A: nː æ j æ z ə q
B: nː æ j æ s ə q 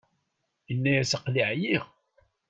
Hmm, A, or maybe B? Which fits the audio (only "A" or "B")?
B